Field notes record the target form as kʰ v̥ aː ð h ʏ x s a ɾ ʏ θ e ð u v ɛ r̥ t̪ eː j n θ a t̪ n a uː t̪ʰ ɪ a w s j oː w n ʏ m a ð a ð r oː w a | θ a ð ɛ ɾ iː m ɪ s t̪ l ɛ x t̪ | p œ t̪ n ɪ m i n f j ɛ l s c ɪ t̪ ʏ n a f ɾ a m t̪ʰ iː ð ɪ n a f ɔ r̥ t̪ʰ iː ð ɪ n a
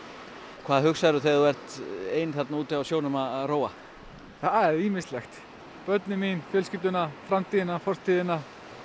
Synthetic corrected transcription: kʰ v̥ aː ð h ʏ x s a ɾ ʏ θ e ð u v ɛ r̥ t̪ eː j n θ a t̪ n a uː t̪ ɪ a w s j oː w n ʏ m a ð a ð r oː w a | θ a ð ɛ ɾ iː m ɪ s t̪ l ɛ x t̪ | p œ t̪ n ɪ m i n f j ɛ l s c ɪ t̪ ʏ n a f ɾ a m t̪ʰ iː ð ɪ n a f ɔ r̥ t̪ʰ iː ð ɪ n a